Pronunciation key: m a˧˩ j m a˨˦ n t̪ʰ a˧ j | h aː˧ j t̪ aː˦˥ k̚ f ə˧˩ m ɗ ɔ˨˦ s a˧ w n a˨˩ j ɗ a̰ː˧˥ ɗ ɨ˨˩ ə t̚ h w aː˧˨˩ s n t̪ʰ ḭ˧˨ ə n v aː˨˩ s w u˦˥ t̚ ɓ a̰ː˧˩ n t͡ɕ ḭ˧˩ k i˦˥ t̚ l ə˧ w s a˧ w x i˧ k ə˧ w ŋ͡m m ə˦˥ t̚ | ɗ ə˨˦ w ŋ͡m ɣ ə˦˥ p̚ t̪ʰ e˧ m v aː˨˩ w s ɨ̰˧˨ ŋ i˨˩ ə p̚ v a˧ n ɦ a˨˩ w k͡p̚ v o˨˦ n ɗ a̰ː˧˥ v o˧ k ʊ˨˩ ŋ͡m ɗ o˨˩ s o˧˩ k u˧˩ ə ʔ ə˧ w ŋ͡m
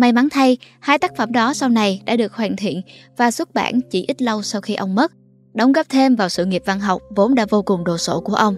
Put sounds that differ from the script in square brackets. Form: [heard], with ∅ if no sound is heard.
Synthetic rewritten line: m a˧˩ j m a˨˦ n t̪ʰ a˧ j | h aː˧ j t̪ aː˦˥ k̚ f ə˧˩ m ɗ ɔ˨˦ s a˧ w n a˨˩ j ɗ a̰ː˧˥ ɗ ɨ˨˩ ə [k̚] h w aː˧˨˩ [∅] n t̪ʰ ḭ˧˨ ə n v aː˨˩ s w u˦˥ t̚ ɓ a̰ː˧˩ n t͡ɕ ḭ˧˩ [ʔ] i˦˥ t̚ l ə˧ w s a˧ w x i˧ [ʔ] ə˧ w ŋ͡m m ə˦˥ t̚ | ɗ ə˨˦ w ŋ͡m ɣ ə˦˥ p̚ t̪ʰ e˧ m v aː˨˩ w s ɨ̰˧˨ ŋ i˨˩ ə p̚ v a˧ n ɦ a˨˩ w k͡p̚ v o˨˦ n ɗ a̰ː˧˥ v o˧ k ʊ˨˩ ŋ͡m ɗ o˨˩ s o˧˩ k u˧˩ ə ʔ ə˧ w ŋ͡m